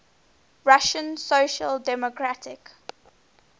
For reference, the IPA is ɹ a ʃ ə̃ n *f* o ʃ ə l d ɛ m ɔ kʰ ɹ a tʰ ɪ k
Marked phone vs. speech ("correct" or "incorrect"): incorrect